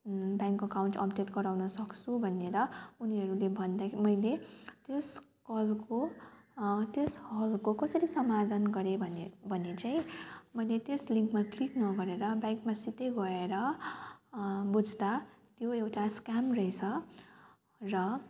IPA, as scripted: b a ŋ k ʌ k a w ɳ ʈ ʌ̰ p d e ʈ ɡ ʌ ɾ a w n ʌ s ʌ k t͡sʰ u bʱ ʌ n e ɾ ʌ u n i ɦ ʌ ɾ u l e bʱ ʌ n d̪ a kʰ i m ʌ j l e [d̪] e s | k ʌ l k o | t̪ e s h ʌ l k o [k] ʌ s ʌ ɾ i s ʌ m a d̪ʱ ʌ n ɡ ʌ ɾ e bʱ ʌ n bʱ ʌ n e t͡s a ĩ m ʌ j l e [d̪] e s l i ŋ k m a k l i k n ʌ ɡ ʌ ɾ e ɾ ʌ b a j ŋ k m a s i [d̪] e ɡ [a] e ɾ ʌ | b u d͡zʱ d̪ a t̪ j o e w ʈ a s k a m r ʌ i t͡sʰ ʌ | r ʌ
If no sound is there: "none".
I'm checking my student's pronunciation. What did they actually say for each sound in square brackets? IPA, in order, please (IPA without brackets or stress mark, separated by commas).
t̪, k, t̪, t̪, ʌ